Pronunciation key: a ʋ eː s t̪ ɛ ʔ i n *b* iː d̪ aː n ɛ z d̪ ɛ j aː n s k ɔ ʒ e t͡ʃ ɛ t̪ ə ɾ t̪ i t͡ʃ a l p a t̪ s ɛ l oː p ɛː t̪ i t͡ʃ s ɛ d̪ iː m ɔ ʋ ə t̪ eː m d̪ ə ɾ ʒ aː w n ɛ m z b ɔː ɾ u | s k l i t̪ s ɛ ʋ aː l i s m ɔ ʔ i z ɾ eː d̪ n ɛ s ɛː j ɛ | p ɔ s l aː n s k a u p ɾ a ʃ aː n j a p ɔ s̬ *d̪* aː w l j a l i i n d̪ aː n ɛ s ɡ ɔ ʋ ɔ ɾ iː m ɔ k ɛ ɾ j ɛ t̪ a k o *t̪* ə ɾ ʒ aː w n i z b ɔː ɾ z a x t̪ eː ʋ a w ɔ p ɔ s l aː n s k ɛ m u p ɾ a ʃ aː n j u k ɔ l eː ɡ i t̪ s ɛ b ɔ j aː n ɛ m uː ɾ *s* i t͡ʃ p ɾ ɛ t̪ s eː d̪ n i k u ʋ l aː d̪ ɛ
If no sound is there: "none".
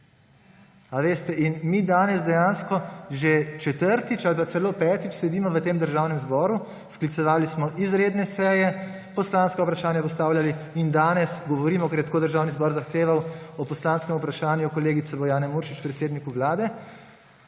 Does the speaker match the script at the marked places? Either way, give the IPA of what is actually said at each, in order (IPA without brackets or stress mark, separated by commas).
m, t̪, d̪, ʃ